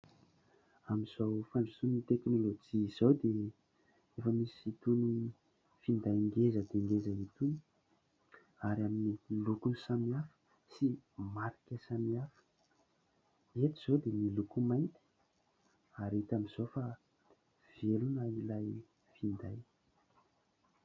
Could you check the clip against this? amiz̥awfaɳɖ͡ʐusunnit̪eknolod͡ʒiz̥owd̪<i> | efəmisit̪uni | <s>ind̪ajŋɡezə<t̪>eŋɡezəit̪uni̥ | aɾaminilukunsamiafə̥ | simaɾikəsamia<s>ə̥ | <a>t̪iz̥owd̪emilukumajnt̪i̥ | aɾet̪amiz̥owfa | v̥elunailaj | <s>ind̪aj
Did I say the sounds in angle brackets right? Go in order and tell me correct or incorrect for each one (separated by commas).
incorrect, incorrect, incorrect, incorrect, incorrect, incorrect